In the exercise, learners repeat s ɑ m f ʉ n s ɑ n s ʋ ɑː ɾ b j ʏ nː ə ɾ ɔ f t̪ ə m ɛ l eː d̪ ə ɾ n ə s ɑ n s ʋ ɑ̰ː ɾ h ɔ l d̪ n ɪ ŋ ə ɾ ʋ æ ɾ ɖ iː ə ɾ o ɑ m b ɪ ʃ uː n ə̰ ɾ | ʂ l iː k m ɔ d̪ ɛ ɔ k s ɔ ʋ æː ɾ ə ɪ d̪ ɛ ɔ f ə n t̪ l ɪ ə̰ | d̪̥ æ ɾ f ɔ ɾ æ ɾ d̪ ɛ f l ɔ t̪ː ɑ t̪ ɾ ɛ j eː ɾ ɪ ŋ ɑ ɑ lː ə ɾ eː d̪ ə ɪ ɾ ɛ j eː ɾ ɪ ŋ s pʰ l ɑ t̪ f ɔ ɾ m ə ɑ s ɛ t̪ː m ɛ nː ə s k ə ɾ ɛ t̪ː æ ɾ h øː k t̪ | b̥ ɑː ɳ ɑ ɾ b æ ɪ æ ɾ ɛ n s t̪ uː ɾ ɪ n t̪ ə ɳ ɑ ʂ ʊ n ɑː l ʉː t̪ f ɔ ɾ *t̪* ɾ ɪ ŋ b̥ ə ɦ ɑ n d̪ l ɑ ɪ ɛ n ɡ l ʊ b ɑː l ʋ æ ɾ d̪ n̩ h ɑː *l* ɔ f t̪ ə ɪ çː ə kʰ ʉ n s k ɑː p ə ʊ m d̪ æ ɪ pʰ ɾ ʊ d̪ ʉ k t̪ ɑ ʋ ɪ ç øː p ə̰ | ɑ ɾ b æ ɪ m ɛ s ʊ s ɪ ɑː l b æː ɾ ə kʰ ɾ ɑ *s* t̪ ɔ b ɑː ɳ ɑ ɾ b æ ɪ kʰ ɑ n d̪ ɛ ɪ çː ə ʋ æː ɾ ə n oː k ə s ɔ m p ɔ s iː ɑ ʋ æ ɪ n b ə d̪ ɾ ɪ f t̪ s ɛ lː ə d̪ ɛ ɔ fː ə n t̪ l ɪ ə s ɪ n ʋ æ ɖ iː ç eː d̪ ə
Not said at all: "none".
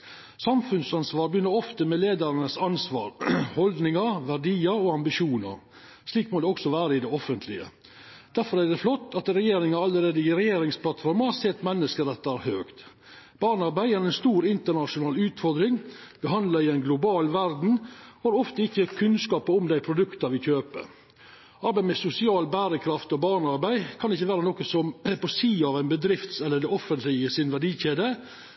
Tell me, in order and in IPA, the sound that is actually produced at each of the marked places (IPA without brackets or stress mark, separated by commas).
d̪, ɾ, f